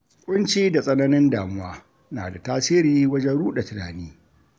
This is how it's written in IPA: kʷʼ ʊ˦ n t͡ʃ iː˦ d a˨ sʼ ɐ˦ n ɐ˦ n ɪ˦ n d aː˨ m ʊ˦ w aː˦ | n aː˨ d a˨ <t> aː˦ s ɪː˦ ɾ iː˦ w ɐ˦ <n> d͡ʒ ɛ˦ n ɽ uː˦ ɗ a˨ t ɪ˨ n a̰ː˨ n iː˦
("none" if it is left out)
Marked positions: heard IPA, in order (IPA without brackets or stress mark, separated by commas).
t, none